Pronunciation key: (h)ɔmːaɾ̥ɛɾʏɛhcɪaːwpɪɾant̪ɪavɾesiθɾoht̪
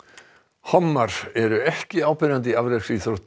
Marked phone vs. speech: correct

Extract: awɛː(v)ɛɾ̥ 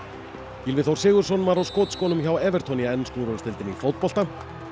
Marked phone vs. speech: correct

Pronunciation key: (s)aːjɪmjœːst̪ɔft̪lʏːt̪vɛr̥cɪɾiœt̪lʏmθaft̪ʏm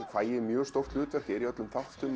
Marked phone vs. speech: incorrect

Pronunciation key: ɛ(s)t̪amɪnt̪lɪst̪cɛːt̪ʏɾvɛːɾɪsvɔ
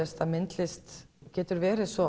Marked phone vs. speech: correct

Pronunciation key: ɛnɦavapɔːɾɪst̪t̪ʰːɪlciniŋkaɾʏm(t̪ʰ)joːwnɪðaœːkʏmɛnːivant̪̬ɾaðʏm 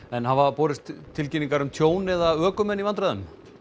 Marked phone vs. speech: correct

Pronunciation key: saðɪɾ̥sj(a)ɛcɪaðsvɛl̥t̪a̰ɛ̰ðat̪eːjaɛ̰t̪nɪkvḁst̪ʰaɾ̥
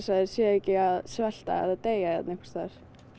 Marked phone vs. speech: incorrect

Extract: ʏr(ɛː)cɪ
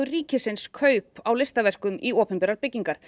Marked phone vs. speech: incorrect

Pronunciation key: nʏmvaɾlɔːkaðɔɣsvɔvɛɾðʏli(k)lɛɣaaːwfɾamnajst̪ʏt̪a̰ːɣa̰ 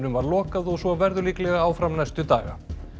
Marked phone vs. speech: correct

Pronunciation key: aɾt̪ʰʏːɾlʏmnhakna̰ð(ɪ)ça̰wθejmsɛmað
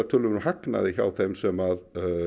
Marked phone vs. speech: correct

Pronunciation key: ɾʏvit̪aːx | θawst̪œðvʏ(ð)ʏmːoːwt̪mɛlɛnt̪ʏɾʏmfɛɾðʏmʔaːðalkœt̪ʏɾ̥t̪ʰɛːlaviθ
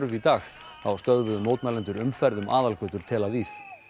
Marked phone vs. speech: correct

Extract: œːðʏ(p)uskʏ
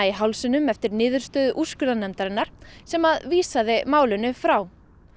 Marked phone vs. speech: incorrect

